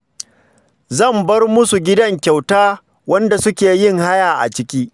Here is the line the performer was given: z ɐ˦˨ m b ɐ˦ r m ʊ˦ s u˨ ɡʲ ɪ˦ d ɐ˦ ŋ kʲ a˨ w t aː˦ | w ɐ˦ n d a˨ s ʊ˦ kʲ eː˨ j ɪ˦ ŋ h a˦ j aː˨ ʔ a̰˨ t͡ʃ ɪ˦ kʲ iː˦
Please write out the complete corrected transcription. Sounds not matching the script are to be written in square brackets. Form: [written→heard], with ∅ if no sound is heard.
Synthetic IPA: z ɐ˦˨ m b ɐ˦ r m ʊ˦ s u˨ ɡʲ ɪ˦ d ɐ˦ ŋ kʲ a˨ w t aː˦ | w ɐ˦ n d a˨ s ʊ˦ kʲ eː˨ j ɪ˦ ŋ h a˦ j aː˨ ʔ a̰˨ t͡ʃ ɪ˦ kʲ iː˦